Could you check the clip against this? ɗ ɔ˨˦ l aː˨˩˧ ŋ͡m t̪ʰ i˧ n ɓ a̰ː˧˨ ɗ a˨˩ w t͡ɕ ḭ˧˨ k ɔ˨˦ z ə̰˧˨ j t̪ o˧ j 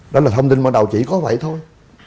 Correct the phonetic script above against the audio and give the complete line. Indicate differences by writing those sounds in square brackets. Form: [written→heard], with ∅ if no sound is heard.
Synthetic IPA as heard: ɗ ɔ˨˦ l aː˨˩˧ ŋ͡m [t̪ʰ→t̪] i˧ n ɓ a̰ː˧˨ ɗ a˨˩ w t͡ɕ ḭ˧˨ k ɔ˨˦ [z→v] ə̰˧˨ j [t̪→t̪ʰ] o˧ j